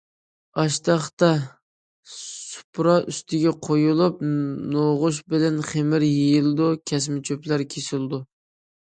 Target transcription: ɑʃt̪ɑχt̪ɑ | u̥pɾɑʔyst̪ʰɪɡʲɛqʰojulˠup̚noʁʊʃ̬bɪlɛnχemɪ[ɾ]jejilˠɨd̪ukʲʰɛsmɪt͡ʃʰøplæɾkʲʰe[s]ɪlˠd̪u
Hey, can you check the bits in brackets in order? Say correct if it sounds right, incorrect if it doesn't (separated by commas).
correct, correct